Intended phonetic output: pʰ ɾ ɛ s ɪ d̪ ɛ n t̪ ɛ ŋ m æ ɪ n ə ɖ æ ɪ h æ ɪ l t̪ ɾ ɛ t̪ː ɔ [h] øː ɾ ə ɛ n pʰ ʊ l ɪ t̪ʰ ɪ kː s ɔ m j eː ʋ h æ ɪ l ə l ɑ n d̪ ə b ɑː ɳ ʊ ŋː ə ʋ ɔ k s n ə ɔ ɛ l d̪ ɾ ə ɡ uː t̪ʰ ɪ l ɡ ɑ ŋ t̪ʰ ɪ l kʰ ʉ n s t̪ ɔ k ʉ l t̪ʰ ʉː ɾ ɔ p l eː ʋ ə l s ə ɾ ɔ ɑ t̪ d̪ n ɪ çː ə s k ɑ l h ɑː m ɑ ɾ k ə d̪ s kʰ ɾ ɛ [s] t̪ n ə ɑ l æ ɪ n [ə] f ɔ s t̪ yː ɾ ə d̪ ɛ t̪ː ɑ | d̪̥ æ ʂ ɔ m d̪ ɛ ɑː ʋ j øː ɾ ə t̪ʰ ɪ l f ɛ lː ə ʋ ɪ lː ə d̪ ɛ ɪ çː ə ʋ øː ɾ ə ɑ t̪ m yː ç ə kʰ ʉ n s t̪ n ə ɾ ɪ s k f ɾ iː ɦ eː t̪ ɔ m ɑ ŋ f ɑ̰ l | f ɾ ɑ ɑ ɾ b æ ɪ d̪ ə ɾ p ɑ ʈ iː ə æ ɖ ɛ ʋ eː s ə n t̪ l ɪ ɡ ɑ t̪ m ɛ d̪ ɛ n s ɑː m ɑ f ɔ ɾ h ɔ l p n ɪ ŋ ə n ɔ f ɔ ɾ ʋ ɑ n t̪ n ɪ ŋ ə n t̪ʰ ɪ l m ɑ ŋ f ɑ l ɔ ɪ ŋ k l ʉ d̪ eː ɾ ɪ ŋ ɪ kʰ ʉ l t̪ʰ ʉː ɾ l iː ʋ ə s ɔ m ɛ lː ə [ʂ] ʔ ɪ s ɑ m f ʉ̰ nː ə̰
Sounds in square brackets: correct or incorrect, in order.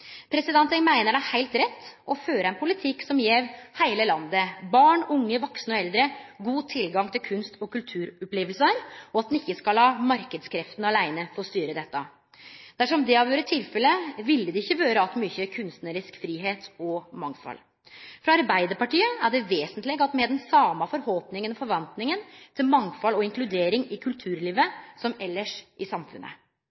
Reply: incorrect: f, incorrect: f, correct, correct

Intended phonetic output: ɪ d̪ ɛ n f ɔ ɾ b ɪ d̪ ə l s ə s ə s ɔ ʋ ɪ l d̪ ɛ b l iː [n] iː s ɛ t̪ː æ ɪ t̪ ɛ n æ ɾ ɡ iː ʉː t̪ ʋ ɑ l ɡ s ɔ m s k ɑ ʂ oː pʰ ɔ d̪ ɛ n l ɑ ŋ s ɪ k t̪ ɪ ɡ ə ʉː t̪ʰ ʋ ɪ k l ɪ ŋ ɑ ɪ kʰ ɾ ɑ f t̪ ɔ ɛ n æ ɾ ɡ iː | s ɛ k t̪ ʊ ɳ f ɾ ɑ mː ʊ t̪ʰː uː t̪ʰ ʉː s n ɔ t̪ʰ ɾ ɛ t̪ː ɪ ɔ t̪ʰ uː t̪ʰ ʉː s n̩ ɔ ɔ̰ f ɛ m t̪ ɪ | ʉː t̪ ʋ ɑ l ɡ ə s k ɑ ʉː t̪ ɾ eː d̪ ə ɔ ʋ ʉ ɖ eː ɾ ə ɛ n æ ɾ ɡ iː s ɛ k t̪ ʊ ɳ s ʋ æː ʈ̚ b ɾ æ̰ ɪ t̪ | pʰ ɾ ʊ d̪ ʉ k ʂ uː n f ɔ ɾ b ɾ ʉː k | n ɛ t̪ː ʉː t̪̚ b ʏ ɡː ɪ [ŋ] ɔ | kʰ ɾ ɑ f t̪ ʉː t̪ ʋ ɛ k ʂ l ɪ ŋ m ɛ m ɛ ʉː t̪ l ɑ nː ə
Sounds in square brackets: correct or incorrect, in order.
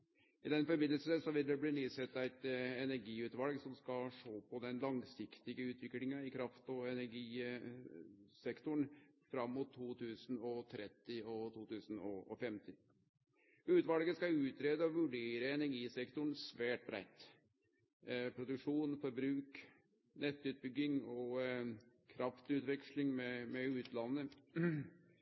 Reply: correct, correct

